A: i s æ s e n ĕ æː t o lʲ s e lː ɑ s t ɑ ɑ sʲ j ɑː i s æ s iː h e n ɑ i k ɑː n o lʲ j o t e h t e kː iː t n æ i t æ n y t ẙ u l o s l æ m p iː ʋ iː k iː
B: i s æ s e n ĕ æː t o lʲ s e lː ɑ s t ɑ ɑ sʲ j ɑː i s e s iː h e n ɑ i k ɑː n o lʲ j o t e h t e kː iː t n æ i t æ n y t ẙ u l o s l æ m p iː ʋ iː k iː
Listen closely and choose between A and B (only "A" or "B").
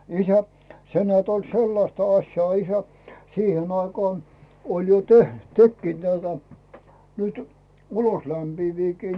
A